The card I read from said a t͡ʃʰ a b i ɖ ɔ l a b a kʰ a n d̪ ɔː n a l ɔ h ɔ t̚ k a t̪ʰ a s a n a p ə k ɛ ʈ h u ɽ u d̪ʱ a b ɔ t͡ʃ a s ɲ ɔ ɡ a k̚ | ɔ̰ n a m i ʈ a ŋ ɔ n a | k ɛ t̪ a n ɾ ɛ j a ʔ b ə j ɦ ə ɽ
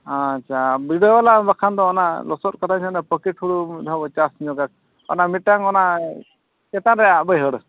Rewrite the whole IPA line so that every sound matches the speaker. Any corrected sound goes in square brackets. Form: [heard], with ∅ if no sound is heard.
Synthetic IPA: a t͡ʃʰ a b i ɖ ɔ l a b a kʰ a n d̪ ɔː n a l ɔ [s] ɔ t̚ k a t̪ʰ a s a n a p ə k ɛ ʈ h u ɽ u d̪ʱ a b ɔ t͡ʃ a s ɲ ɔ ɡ a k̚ | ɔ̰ n a m i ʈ a ŋ ɔ n a | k ɛ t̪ a n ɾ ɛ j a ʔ b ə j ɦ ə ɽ